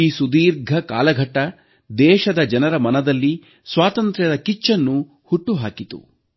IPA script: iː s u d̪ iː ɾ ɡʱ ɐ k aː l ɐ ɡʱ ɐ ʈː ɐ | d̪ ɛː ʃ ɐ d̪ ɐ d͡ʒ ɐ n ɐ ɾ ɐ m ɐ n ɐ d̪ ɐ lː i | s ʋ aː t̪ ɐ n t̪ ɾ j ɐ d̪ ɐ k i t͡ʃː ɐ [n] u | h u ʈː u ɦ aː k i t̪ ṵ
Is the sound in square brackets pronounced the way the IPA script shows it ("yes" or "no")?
no